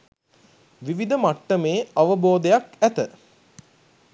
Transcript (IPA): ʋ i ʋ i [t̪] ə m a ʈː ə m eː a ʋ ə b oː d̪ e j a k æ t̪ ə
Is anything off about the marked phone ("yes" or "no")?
yes